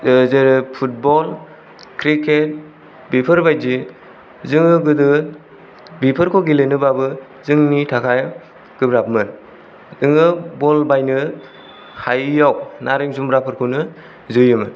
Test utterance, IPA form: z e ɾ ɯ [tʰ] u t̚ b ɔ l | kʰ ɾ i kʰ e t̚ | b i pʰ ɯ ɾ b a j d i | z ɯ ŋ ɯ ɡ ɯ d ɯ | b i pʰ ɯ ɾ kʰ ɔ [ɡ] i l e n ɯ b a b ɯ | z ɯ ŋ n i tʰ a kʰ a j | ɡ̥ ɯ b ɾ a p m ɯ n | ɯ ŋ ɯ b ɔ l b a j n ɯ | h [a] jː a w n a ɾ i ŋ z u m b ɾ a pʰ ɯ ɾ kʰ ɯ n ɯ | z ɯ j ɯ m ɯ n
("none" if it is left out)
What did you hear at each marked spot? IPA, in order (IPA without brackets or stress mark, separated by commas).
pʰ, ɡ, a